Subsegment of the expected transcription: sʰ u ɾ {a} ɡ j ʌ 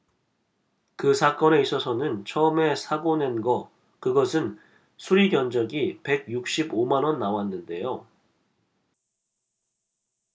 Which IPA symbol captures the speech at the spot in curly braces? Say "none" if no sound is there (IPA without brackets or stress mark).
i